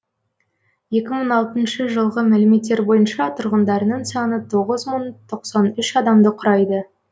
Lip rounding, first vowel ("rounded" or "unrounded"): unrounded